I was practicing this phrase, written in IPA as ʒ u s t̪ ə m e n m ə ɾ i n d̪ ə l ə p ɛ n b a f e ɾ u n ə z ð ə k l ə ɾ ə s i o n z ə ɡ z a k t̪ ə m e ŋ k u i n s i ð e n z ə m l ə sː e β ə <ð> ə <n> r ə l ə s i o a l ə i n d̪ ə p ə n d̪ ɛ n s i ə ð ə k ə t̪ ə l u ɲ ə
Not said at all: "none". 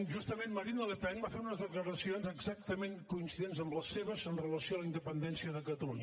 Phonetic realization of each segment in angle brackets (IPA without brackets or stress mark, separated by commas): z, n